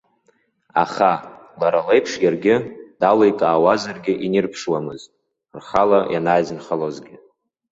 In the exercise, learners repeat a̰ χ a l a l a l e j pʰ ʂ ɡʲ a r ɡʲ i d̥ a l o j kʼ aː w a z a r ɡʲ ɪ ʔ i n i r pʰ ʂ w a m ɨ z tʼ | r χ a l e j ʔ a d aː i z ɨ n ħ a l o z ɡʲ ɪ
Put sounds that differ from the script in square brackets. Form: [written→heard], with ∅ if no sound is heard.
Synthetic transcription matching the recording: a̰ χ a l a [l→ɾ] a l e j pʰ ʂ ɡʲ a r ɡʲ [i→ɪ] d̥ a l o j kʼ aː w a z a r ɡʲ ɪ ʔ i n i r pʰ ʂ w a m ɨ z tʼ | r χ a l [e→a] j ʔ a [d→n] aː [i→j] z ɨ n [ħ→χ] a l o z ɡʲ ɪ